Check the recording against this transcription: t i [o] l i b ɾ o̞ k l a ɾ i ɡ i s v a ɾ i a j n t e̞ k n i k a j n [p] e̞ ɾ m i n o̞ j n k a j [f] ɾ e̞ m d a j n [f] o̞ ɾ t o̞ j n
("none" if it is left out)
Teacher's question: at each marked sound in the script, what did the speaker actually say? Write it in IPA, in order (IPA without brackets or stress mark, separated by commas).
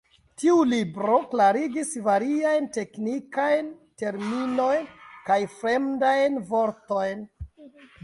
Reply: u, t, f, v